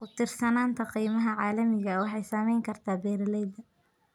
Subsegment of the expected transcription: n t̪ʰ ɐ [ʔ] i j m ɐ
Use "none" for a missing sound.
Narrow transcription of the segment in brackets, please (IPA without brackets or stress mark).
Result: q